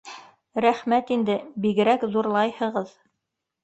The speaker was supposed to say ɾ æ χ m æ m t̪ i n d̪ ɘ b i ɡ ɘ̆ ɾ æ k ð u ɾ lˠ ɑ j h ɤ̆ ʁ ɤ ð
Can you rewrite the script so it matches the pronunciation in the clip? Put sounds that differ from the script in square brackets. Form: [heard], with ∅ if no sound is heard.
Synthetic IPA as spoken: ɾ æ χ m æ [∅] t̪ i n d̪ ɘ b i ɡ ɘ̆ ɾ æ k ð u ɾ lˠ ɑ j h ɤ̆ ʁ ɤ ð